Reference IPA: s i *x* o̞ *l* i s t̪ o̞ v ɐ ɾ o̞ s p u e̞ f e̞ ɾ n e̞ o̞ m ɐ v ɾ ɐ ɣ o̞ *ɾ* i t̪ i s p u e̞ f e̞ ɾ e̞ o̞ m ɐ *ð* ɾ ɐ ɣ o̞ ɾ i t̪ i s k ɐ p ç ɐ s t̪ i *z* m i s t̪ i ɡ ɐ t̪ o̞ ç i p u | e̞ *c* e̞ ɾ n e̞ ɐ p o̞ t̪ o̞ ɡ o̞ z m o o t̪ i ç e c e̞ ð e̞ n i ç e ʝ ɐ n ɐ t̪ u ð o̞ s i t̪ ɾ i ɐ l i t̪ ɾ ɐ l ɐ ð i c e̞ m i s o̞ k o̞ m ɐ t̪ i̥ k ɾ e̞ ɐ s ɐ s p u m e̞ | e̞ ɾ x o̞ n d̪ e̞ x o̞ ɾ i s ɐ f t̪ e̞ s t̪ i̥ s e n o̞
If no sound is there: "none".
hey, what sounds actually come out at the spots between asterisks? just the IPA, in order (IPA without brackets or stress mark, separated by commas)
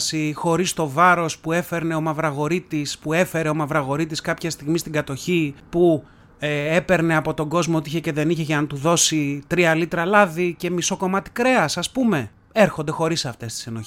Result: x, ɾ, ɾ, v, ɣ, p